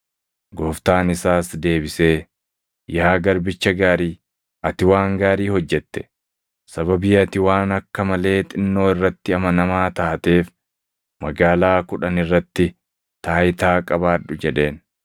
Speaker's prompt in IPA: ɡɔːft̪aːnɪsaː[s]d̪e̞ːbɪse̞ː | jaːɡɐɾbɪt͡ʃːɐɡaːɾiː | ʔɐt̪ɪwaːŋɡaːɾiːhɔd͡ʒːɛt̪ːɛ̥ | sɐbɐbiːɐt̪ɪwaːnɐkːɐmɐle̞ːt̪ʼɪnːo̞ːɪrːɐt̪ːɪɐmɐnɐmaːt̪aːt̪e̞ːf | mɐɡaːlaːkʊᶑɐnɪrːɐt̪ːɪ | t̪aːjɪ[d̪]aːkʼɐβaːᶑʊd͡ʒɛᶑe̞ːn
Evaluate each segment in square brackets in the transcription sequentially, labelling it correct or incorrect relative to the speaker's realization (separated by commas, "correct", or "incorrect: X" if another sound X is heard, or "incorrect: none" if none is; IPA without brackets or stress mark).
correct, incorrect: t̪